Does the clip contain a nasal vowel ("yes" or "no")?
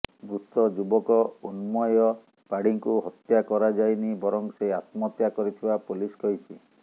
no